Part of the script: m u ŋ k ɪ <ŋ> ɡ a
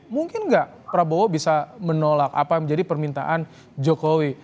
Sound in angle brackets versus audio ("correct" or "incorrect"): incorrect